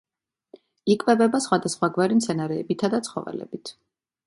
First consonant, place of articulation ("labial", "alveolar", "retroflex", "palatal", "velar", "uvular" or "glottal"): velar